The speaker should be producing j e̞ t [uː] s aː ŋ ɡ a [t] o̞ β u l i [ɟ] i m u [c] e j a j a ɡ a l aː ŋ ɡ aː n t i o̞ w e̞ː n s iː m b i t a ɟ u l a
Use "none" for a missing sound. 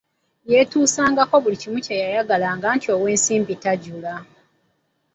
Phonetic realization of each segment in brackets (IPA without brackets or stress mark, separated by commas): uː, k, c, c